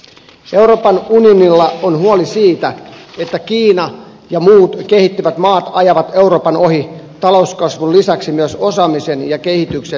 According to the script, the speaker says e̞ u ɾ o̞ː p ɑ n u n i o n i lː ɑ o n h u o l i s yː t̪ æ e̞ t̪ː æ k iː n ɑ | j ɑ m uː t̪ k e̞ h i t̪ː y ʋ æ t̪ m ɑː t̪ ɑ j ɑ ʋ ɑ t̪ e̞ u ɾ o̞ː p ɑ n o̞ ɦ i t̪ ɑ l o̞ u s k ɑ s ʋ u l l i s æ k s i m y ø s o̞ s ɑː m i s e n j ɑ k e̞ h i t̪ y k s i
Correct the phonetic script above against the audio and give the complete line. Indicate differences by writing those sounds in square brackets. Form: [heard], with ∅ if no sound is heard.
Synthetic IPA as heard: e̞ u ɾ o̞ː p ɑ n u n i o n i lː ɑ o n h u o l i s [iː] t̪ æ e̞ t̪ː æ k iː n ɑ | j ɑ m uː t̪ k e̞ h i t̪ː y ʋ æ t̪ m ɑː t̪ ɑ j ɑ ʋ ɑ t̪ e̞ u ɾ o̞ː p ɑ n o̞ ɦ i t̪ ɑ l o̞ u s k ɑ s ʋ u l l i s æ k s i m y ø s o̞ s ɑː m i s e n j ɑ k e̞ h i t̪ y k s [e]